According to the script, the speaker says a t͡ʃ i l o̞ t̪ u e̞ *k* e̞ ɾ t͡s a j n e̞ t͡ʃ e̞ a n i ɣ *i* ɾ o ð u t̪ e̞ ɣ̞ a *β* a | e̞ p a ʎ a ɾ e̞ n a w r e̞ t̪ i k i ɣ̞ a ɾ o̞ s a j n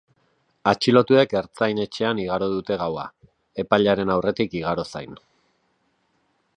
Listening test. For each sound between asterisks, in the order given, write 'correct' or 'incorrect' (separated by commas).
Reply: correct, incorrect, incorrect